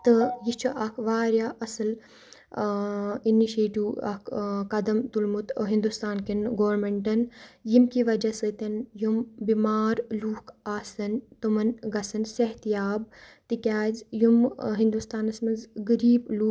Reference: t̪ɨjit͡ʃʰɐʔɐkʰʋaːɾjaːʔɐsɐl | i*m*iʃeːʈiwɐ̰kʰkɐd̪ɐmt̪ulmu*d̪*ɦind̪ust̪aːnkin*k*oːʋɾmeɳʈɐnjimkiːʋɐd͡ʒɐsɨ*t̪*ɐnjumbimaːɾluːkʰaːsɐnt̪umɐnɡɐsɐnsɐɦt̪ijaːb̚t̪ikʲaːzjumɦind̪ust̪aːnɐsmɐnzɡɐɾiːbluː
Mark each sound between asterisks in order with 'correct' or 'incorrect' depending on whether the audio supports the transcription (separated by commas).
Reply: incorrect, incorrect, incorrect, correct